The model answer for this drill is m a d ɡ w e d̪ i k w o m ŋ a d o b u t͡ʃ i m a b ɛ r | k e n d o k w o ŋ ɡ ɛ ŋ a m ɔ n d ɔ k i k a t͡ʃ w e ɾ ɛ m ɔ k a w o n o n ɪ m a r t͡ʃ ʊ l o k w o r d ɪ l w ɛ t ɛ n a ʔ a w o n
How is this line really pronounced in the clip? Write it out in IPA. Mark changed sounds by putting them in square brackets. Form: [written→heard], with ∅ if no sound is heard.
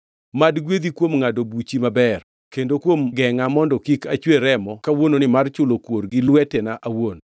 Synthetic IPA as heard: m a d ɡ w e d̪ i k w o m ŋ a d o b u t͡ʃ i m a b ɛ r | k e n d o k w o [ŋ→m] ɡ ɛ ŋ a m ɔ n d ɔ k i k a t͡ʃ w e ɾ ɛ m ɔ k a w o n o n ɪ m a r t͡ʃ ʊ l o k w o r [d→ɡ] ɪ l w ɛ t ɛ n a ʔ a w o n